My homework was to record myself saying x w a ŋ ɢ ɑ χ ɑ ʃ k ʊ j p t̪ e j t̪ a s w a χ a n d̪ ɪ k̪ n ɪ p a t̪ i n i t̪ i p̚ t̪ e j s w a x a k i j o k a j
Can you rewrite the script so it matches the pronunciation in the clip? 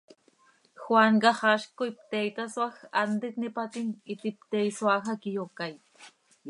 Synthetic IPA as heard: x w a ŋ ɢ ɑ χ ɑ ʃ k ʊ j p t̪ e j t̪ a s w a x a n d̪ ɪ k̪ n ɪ p a t̪ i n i t̪ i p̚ t̪ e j s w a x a k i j o k a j

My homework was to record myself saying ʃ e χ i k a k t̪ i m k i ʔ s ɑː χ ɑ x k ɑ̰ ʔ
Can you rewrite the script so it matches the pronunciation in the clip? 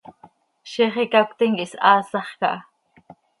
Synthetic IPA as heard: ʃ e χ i k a k t̪ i ŋ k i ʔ s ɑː s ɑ χ k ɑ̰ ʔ

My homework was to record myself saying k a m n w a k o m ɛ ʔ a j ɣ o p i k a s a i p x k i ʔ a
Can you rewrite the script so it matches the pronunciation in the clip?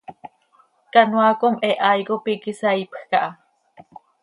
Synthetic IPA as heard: k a n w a k o m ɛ ʔ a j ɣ o p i k i s a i p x k a ʔ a

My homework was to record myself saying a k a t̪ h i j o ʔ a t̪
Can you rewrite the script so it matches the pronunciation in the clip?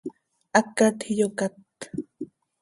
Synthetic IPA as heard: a k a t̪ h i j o k a t̪

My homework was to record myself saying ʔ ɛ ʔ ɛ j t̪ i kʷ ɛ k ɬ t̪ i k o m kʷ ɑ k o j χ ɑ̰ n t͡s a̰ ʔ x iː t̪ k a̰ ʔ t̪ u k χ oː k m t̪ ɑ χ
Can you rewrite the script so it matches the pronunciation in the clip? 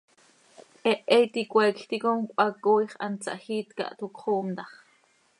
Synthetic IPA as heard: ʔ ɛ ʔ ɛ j t̪ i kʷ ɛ k ɬ t̪ i k o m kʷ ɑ k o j χ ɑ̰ n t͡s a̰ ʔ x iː t̪ k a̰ ʔ t̪ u k χ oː m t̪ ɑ χ

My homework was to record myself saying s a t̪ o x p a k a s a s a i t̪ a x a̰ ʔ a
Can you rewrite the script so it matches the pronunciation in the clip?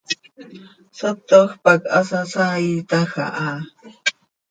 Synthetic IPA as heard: s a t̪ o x p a k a s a s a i t̪ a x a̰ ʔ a

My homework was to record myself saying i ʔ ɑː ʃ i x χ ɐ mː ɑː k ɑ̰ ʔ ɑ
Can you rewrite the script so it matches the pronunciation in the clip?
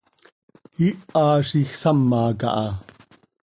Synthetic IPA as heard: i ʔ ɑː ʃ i x s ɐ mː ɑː k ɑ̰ ʔ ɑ

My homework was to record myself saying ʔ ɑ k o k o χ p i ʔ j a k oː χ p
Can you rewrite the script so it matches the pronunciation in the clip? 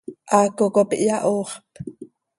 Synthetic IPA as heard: ʔ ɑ k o k o p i ʔ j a ʔ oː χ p

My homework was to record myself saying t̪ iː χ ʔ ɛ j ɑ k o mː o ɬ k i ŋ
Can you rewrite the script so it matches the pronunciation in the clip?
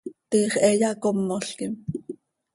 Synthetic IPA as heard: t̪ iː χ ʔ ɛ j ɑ k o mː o ɬ k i m

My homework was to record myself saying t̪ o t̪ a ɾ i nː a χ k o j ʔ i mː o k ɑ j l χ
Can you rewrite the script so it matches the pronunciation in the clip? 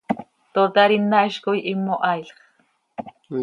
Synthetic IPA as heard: t̪ o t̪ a ɾ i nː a ʃ k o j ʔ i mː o ʔ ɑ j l χ

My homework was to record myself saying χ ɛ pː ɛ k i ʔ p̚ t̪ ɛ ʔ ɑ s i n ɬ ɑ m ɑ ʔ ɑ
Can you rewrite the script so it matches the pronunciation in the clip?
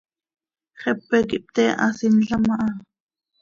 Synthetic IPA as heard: χ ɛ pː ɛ k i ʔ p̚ t̪ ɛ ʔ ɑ s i n ɬ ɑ m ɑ ʔ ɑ

